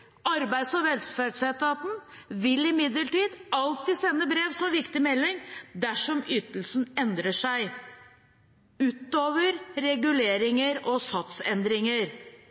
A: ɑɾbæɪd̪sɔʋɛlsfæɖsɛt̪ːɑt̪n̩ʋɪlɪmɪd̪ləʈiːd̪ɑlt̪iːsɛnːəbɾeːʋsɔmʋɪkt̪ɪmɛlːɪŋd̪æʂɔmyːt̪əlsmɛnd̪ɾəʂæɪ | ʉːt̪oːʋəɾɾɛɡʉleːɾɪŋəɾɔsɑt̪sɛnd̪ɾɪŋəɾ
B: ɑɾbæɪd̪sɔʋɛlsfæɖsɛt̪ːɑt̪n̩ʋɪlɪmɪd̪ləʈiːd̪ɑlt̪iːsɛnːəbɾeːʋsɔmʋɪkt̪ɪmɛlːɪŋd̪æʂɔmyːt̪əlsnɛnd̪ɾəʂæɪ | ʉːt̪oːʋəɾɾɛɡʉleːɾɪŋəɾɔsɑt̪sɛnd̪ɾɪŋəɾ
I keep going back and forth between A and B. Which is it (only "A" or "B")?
B